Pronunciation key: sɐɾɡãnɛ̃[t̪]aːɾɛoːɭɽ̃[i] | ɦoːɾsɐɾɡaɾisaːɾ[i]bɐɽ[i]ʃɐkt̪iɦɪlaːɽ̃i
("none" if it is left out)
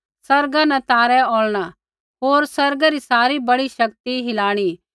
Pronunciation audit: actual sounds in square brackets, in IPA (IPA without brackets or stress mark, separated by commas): t̪, a, i, i